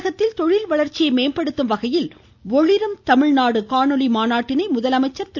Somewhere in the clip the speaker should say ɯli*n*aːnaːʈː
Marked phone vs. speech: incorrect: m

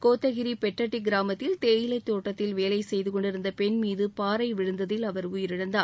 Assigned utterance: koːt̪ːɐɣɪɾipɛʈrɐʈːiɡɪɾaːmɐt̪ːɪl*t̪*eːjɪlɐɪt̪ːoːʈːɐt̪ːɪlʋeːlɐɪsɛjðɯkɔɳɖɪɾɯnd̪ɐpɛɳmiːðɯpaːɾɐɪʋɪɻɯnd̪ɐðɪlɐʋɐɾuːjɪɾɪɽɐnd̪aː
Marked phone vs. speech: correct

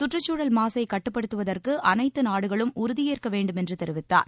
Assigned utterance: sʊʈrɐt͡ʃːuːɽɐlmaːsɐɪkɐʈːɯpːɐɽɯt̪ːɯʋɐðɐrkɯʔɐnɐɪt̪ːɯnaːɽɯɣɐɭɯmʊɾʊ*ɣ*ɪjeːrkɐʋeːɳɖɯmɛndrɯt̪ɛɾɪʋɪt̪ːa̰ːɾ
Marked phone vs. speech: incorrect: ð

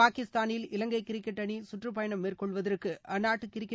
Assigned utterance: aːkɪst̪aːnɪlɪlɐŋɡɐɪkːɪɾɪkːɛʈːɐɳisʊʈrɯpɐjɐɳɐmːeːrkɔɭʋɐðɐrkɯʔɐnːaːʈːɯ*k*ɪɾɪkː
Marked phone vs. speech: correct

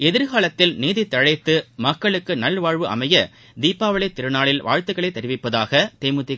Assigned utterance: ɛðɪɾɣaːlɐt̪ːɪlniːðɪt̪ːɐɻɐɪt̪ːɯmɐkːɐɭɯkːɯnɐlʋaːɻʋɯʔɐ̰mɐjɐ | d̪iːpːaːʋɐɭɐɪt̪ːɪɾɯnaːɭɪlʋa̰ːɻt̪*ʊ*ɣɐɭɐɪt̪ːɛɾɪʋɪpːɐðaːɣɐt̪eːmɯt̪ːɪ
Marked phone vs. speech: incorrect: ɯ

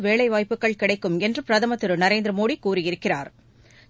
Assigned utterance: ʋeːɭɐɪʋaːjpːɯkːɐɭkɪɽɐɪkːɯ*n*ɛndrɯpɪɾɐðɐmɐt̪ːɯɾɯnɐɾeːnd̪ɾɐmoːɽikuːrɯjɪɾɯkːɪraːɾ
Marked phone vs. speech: incorrect: m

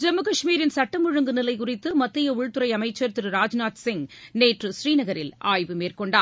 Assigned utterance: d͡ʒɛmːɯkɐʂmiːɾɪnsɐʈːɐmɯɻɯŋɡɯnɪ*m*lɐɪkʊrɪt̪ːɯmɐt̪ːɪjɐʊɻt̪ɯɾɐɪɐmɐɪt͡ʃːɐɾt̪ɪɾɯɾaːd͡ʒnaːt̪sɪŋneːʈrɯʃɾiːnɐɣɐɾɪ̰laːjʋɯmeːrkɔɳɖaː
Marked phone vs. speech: incorrect: none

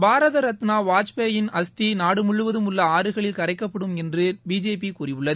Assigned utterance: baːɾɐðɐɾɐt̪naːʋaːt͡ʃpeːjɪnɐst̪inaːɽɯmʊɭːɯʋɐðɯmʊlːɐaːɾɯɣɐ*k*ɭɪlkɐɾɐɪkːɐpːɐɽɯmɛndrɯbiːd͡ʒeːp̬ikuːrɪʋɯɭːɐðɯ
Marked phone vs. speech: incorrect: none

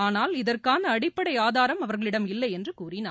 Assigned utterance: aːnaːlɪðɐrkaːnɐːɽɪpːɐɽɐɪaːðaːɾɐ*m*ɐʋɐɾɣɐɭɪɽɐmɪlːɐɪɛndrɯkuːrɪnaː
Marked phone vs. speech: correct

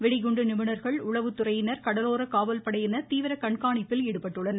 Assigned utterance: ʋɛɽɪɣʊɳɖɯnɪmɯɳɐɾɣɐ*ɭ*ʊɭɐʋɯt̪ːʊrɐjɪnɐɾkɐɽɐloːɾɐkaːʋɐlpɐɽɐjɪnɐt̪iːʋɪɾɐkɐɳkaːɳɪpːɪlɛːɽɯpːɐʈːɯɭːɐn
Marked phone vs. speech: correct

